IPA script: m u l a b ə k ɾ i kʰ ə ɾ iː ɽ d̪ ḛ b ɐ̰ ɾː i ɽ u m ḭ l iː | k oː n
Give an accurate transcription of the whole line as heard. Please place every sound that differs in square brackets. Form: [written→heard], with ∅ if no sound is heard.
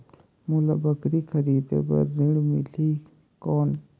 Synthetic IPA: m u l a b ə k ɾ i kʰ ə ɾ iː [ɽ→∅] d̪ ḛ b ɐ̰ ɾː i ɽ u m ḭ l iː | k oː n

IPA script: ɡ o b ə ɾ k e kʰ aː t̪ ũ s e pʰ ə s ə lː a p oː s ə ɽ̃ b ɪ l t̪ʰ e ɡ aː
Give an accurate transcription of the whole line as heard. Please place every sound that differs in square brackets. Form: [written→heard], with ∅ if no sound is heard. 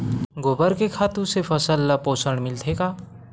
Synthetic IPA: ɡ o b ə ɾ k e kʰ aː t̪ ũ s e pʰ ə s ə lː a p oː s ə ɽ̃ [b→m] ɪ l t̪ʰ e [ɡ→k] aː

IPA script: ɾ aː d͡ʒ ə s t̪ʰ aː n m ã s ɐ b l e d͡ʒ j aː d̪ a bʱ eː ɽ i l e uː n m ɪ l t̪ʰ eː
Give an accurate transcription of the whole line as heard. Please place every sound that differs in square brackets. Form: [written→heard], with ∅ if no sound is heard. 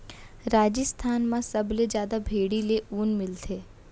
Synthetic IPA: ɾ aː d͡ʒ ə s t̪ʰ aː n m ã s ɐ b l e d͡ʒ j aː d̪ a bʱ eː ɽ i l e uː n m ɪ l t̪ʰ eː

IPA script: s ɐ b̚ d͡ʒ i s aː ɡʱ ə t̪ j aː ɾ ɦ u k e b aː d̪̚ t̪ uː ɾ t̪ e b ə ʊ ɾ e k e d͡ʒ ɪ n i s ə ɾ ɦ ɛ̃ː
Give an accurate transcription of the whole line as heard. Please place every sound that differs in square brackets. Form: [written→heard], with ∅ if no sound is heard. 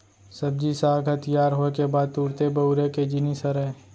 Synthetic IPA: s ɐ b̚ d͡ʒ i s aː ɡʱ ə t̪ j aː ɾ ɦ [u→o] k e b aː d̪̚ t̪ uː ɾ t̪ e b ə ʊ ɾ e k e d͡ʒ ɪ n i s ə ɾ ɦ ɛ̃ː

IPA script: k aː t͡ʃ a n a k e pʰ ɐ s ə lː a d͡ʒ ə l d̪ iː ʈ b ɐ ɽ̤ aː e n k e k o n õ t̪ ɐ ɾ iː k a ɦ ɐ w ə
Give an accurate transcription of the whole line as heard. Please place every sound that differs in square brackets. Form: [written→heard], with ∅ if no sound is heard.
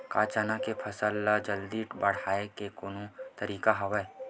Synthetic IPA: k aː t͡ʃ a n a k e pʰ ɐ s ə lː a d͡ʒ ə l d̪ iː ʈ b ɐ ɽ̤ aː e [n→∅] k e k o n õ t̪ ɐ ɾ iː k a ɦ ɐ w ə

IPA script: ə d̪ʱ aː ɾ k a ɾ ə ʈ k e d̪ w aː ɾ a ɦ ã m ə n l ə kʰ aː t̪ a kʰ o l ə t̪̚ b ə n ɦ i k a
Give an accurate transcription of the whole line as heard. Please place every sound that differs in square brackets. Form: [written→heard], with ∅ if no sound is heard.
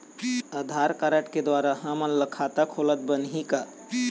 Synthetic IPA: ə d̪ʱ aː ɾ k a ɾ ə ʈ k e d̪ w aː ɾ a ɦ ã m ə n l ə kʰ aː t̪ a kʰ o l ə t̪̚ b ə n ɦ i k a

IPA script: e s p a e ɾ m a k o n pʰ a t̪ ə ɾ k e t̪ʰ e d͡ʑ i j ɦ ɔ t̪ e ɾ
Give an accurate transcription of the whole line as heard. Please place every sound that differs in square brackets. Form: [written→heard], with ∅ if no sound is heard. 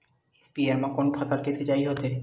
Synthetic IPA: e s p [a→i] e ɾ m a k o n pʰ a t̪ [ə→a] ɾ k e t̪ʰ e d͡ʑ [i→a] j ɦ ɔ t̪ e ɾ

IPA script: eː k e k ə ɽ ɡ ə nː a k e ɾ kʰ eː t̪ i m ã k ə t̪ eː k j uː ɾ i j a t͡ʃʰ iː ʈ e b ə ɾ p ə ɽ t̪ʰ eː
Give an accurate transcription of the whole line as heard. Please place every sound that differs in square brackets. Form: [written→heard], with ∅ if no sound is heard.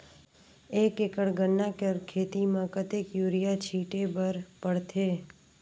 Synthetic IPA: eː k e k ə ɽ ɡ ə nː a k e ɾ kʰ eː t̪ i m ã k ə t̪ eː k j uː ɾ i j a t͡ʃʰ iː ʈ e b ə ɾ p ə ɽ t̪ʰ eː

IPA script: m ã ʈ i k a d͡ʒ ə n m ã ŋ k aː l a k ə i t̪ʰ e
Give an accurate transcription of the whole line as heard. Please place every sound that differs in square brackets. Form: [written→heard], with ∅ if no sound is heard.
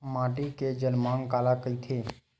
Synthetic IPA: m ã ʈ i k [a→e] d͡ʒ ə n m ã ŋ k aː l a k ə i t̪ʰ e

